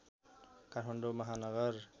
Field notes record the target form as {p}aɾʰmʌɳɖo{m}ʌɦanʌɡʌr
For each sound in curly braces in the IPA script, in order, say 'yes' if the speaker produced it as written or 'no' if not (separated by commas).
no, yes